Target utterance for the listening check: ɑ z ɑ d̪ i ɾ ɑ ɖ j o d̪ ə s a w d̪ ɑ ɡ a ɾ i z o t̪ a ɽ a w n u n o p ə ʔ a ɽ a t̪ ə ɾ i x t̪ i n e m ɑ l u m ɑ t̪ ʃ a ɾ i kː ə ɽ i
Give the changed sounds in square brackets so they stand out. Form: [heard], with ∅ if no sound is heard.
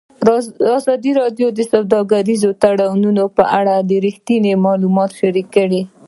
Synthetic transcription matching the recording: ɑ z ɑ d̪ i ɾ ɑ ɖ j o d̪ ə s a w d̪ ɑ ɡ a ɾ i z o t̪ a ɽ a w n u n o p ə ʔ a ɽ a [d̪] ə ɾ i x t̪ i n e m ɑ l u m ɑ t̪ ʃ a ɾ i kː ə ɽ i